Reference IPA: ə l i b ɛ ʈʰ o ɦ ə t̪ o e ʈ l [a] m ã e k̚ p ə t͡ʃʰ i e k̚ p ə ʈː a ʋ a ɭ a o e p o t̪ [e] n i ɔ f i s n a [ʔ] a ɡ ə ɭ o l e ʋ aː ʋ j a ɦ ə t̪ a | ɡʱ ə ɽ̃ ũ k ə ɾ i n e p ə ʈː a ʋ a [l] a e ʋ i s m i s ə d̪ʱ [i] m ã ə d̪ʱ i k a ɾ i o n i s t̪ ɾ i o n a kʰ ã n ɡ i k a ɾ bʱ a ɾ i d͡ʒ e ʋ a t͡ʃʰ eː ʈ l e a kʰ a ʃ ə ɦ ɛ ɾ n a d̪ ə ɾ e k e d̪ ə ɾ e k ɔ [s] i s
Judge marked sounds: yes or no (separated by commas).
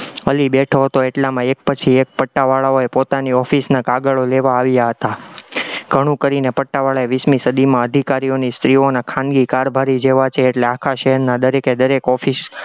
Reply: yes, no, no, no, yes, no